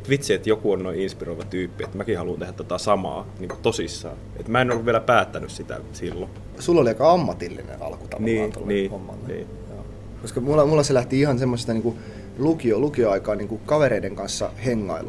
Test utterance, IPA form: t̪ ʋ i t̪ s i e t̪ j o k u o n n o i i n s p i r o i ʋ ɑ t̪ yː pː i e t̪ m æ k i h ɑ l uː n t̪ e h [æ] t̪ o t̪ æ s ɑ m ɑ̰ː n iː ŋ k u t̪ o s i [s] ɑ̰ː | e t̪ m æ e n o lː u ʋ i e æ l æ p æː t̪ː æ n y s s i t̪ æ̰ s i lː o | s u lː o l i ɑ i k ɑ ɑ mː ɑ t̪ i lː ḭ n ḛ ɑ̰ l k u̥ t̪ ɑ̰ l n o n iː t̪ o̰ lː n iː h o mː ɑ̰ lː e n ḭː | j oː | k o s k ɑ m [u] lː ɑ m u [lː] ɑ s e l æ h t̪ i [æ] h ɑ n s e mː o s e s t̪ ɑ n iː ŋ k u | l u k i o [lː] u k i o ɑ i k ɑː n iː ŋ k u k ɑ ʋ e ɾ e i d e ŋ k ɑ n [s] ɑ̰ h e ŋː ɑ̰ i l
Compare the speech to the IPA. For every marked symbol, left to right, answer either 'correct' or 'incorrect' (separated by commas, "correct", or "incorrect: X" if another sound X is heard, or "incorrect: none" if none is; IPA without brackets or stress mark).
correct, incorrect: sː, correct, correct, incorrect: i, incorrect: l, incorrect: sː